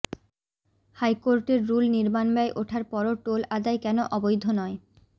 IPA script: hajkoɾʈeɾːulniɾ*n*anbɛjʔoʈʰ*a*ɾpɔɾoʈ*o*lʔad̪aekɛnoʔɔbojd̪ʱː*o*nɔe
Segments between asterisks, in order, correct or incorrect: incorrect: m, correct, correct, correct

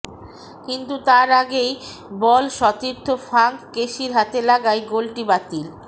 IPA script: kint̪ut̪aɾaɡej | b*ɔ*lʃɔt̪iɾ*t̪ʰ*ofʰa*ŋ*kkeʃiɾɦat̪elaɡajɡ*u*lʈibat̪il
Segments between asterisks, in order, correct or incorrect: correct, correct, correct, incorrect: o

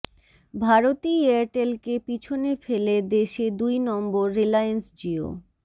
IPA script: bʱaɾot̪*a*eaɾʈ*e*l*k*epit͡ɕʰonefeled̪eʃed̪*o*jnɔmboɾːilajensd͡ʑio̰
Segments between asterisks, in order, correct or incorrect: incorrect: i, correct, correct, incorrect: u

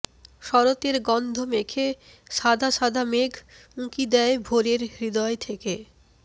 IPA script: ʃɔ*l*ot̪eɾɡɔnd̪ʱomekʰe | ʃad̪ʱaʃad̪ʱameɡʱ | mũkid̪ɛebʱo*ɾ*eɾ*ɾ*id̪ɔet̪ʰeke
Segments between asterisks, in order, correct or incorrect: incorrect: ɾ, correct, correct

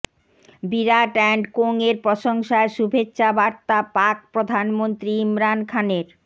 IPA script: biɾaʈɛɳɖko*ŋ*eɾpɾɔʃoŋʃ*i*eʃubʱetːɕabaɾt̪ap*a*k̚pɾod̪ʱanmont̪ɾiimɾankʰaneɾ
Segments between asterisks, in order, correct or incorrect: correct, incorrect: a, correct

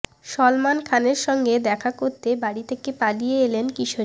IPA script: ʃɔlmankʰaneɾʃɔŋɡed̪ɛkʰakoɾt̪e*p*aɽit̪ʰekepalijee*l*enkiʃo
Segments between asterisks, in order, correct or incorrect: incorrect: b, correct

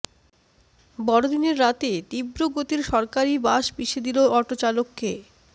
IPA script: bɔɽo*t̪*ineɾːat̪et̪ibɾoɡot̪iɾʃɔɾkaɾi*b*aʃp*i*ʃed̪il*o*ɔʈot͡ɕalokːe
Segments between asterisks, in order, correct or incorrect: incorrect: d̪, correct, correct, correct

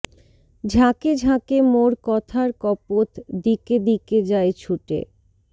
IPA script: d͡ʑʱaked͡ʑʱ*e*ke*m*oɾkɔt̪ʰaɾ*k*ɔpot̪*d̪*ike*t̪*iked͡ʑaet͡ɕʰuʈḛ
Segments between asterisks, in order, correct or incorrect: incorrect: a, correct, correct, correct, incorrect: d̪

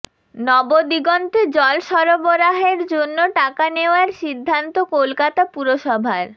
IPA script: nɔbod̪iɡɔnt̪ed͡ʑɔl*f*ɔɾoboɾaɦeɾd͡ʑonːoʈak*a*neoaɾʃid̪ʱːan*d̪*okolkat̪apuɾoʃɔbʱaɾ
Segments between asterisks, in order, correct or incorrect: incorrect: ʃ, correct, incorrect: t̪

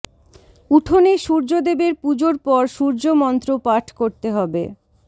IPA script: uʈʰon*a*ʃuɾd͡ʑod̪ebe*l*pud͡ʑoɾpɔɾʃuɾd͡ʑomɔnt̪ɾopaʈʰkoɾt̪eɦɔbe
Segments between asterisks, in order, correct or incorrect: incorrect: e, incorrect: ɾ

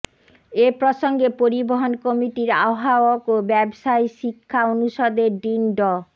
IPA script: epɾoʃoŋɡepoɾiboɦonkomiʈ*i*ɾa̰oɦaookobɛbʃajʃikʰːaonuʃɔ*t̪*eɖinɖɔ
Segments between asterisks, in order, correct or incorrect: correct, incorrect: d̪

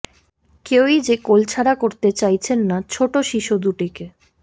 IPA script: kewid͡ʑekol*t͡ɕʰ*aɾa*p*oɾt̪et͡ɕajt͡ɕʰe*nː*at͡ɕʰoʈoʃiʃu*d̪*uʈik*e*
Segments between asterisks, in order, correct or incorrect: correct, incorrect: k, correct, correct, correct

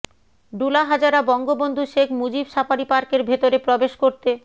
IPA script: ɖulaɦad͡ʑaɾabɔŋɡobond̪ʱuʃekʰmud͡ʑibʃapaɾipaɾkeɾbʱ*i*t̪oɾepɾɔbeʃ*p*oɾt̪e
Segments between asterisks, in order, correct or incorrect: incorrect: e, incorrect: k

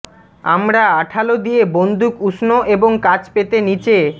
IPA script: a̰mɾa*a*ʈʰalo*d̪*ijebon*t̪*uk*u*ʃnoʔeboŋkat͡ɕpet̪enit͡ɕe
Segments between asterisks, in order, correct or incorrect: correct, correct, incorrect: d̪, correct

